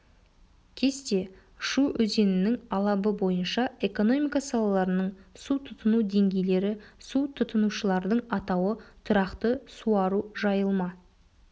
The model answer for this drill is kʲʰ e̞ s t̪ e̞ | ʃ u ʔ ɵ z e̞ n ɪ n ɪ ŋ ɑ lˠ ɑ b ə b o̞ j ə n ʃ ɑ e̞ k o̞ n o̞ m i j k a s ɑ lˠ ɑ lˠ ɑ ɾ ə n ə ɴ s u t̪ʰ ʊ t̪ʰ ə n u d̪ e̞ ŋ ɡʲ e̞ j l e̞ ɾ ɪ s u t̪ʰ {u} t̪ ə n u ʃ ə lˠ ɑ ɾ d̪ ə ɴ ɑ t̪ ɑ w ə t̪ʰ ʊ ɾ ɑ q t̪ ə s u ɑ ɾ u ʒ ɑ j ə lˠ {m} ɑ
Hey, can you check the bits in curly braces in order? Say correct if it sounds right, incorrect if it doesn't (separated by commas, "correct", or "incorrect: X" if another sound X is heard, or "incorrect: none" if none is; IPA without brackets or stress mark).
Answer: incorrect: ʊ, correct